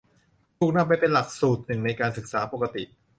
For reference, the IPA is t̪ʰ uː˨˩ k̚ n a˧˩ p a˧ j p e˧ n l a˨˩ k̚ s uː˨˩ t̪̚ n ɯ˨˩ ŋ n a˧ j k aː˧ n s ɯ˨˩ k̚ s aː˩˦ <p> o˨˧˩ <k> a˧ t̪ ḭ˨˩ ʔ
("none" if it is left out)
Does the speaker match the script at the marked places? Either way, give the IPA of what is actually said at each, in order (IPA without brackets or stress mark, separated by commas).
p, k